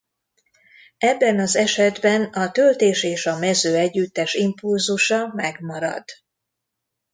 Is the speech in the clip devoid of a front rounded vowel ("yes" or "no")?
no